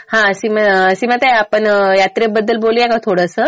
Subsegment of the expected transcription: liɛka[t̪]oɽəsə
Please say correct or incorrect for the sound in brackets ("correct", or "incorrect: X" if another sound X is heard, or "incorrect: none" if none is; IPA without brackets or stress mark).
incorrect: t̪ʰ